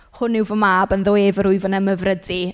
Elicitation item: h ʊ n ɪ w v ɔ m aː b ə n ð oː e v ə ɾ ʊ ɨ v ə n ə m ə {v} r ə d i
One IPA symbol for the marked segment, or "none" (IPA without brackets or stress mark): v